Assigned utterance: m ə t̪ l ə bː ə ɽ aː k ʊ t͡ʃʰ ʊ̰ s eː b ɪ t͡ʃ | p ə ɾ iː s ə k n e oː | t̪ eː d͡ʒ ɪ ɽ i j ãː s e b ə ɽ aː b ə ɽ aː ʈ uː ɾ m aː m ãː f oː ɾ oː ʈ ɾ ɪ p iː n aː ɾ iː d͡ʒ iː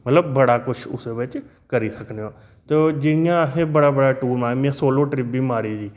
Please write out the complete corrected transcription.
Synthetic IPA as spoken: m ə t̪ l ə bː ə ɽ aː k ʊ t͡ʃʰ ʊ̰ s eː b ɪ t͡ʃ | k ə ɾ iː s ə k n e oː | t̪ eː d͡ʒ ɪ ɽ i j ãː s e b ə ɽ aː b ə ɽ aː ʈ uː ɾ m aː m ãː s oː l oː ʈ ɾ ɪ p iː m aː ɾ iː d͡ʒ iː

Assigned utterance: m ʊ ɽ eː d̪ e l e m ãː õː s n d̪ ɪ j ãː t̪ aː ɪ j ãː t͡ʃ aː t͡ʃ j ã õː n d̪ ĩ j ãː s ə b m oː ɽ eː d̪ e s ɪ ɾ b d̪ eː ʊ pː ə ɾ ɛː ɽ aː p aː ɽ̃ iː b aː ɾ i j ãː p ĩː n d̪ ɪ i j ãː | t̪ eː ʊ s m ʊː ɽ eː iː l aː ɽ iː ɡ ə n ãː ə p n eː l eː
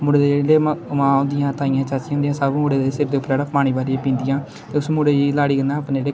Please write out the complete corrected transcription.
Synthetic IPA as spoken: m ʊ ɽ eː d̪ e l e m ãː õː n d̪ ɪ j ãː t̪ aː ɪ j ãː t͡ʃ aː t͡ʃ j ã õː n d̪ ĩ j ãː s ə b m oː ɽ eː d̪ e s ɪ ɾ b d̪ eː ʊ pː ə ɾ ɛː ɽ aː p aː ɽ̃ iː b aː ɾ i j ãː p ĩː n d̪ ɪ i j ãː | t̪ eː ʊ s m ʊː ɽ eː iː l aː ɽ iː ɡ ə n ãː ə p n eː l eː

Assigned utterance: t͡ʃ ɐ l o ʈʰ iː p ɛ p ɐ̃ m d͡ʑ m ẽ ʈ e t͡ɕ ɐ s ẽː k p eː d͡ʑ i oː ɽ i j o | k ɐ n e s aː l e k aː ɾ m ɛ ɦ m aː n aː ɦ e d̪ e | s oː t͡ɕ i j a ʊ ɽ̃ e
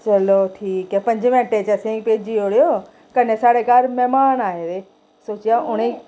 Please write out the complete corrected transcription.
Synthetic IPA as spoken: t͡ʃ ɐ l o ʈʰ iː k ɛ p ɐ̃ ɲ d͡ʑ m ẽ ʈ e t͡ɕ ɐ s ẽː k p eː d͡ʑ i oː ɽ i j o | k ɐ n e s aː ɽ e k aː ɾ m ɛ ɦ m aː n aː ɦ e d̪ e | s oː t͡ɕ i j a ʊ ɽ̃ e

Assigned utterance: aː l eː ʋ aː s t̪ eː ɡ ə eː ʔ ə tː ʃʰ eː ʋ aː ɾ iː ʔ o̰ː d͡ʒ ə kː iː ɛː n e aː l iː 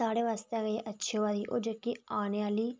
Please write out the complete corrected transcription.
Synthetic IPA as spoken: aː ɽ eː ʋ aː s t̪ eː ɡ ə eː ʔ ə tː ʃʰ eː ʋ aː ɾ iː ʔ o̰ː d͡ʒ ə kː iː aː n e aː l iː

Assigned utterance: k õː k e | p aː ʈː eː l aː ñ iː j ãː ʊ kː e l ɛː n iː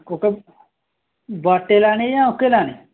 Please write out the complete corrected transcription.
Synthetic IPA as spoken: k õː k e | b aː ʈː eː l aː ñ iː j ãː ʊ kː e l aː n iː

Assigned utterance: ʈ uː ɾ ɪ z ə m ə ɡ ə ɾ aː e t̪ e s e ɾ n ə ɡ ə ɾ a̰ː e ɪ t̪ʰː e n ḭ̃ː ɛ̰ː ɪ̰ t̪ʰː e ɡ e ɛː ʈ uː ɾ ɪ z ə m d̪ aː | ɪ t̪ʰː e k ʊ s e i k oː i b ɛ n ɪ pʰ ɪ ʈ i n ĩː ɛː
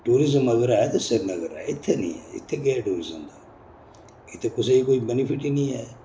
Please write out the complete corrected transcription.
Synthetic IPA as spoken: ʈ uː ɾ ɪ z ə m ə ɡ ə ɾ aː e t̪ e s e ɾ n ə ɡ ə ɾ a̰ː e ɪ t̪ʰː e n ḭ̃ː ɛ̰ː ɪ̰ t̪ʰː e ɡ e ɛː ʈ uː ɾ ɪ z ə m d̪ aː | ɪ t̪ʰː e k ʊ s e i k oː i b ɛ n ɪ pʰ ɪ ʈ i n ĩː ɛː

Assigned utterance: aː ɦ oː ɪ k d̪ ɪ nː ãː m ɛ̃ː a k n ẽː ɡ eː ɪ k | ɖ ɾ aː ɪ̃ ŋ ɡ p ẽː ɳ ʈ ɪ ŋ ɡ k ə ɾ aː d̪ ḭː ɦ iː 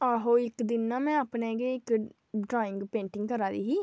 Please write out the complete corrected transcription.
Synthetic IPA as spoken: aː ɦ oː ɪ k d̪ ɪ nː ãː m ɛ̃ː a p n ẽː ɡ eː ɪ k | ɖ ɾ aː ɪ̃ ŋ ɡ p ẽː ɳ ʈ ɪ ŋ ɡ k ə ɾ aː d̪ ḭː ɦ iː

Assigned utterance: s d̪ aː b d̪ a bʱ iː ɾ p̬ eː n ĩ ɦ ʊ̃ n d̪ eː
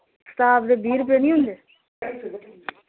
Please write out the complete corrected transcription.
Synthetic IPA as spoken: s t̪ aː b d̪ e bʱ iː ɾ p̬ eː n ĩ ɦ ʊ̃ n d̪ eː

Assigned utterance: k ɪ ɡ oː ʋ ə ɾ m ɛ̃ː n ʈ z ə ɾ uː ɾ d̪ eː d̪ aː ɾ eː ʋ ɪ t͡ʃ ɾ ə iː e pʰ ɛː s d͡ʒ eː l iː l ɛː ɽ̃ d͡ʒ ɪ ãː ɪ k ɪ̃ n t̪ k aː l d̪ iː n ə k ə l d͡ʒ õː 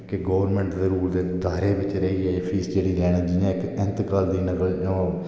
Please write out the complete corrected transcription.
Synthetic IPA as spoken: k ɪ ɡ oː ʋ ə ɾ m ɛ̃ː ɳ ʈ z ə ɾ uː ɾ d̪ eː d̪ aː ɾ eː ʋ ɪ t͡ʃ ɾ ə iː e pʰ iː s d͡ʒ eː ɽ iː l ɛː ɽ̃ d͡ʒ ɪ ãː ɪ k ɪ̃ n t̪ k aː l d̪ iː n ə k ə l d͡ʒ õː

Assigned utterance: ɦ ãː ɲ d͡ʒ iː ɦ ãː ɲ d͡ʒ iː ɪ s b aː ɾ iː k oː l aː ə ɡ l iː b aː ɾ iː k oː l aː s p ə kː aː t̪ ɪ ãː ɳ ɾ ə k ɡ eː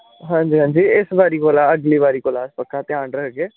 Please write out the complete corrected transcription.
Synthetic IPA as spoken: ɦ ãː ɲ d͡ʒ iː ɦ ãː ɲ d͡ʒ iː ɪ s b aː ɾ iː k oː l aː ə ɡ l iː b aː ɾ iː k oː l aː s p ə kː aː t̪ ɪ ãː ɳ ɾ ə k ɡ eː

